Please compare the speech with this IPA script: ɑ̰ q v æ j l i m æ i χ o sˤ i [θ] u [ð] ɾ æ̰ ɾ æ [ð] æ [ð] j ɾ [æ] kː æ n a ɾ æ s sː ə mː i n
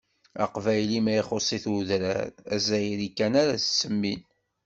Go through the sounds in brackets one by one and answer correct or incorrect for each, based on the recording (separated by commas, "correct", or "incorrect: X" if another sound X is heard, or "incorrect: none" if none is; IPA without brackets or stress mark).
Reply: correct, correct, incorrect: z, incorrect: none, incorrect: i